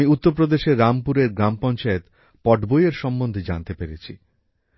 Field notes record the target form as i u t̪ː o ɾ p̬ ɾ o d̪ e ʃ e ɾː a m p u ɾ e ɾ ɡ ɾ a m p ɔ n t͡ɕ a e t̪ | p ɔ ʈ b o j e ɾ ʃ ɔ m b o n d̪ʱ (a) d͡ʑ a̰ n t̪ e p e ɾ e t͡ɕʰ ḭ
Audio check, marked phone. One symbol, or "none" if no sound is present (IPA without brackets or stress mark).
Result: e